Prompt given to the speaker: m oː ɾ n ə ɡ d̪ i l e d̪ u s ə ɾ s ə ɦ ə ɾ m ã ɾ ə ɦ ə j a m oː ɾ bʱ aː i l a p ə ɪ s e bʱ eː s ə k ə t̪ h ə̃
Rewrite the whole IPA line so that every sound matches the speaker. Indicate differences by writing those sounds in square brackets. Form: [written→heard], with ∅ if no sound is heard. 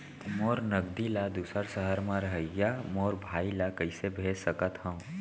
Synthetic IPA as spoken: m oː ɾ n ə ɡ d̪ i l [e→a] d̪ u s ə ɾ s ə ɦ ə ɾ m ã ɾ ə ɦ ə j a m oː ɾ bʱ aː i l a [p→k] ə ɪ s e bʱ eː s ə k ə t̪ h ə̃

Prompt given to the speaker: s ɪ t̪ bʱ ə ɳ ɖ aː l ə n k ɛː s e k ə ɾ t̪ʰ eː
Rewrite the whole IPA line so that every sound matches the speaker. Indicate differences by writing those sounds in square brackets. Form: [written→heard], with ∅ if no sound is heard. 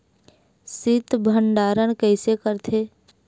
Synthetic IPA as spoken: s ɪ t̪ bʱ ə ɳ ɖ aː [l→ɾ] ə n k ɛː s e k ə ɾ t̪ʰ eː

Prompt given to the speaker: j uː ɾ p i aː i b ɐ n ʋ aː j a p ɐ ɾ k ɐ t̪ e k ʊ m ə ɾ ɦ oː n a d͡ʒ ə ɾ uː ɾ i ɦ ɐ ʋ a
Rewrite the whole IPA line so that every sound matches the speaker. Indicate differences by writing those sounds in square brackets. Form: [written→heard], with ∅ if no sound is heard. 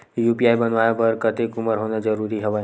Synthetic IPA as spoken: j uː [ɾ→∅] p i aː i b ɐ n ʋ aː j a p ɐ ɾ k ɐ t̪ e k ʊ m ə ɾ ɦ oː n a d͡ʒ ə ɾ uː ɾ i ɦ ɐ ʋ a

